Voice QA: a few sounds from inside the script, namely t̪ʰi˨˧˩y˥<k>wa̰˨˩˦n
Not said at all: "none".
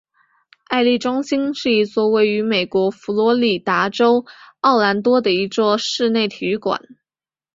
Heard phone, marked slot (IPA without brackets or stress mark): k